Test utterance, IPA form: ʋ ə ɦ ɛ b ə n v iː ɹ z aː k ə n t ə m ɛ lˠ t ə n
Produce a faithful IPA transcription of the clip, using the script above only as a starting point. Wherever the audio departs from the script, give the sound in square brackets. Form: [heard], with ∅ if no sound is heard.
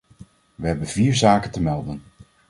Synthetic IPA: ʋ ə ɦ ɛ b ə n v iː ɹ z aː k ə n t ə m ɛ lˠ [d] ə n